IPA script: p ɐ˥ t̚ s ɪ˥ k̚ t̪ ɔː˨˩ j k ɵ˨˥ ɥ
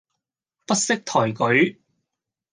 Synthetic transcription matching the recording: p ɐ˥ t̚ s ɪ˥ k̚ t̪ʰ ɔː˨˩ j k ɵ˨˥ ɥ